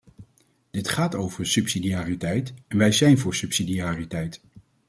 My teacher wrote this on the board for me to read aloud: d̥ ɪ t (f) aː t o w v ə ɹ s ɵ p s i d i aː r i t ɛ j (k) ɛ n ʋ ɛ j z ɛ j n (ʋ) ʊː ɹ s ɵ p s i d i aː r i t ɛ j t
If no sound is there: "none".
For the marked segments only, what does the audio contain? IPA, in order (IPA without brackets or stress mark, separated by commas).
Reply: χ, t, v